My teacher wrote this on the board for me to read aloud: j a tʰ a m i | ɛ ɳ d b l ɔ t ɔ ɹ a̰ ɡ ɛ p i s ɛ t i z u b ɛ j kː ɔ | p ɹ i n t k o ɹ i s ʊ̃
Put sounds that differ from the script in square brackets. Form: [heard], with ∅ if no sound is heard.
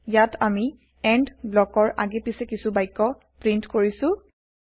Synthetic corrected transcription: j a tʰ a m i | ɛ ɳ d b l ɔ [k] ɔ ɹ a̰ ɡ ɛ p i s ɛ [k] i [s] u b [a] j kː ɔ | p ɹ i n t k o ɹ i s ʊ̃